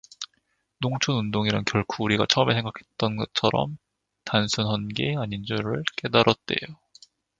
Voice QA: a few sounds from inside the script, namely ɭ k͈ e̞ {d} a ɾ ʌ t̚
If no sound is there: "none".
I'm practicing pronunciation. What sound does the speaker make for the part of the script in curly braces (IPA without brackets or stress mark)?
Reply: d